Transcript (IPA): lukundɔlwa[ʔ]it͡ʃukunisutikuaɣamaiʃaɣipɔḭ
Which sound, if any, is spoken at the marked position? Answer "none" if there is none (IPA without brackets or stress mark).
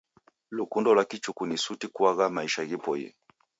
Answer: k